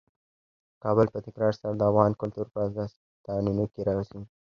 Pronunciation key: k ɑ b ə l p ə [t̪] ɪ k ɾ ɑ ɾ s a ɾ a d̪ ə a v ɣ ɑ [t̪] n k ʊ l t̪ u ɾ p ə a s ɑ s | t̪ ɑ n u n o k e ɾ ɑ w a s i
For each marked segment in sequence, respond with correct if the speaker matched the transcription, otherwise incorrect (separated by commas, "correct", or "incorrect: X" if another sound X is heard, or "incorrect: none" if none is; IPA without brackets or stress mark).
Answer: correct, incorrect: none